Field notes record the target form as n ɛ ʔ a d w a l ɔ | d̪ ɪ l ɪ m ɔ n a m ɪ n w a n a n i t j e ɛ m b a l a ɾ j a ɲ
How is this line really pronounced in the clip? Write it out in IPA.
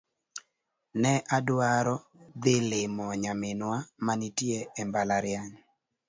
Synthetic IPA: n ɛ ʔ a d w a ɾ ɔ | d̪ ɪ l ɪ m ɔ ɲ a m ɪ n w a m a n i t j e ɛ m b a l a ɾ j a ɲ